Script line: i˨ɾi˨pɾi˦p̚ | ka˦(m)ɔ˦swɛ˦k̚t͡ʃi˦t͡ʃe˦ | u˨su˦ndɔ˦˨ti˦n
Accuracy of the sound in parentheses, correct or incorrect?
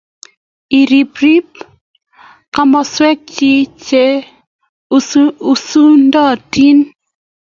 correct